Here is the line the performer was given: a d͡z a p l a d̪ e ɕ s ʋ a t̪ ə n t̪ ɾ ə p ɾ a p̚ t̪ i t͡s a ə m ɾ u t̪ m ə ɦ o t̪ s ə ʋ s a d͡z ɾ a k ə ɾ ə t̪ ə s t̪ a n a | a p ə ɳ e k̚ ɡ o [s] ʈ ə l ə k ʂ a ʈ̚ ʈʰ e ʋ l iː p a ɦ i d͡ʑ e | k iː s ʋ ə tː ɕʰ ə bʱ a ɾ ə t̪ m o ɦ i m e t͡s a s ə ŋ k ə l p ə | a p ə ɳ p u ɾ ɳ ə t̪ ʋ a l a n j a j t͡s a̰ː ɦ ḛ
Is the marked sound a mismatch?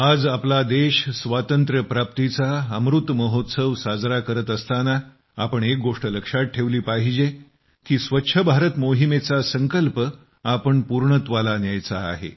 yes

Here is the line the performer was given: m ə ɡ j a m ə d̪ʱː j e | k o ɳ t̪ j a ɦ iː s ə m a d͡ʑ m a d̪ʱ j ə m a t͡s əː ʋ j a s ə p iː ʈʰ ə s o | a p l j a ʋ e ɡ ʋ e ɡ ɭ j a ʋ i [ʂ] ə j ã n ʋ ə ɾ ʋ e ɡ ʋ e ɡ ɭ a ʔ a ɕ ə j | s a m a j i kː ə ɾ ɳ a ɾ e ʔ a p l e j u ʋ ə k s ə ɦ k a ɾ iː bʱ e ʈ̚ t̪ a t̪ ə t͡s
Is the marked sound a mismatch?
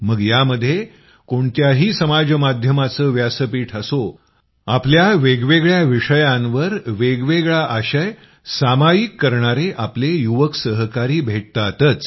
no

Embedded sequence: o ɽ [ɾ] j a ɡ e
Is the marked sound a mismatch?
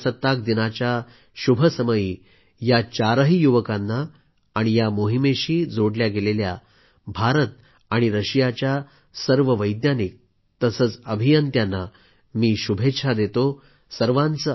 yes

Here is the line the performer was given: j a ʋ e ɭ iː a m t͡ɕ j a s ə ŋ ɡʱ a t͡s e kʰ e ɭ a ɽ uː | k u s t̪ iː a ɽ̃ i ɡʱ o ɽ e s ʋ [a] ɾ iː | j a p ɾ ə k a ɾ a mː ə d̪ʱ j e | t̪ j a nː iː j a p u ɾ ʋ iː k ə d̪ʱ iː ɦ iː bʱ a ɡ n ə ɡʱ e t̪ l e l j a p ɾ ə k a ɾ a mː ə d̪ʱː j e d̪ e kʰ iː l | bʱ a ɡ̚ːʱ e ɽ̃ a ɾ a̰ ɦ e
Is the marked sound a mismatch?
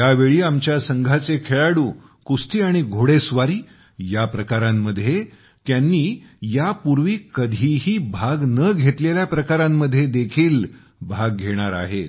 no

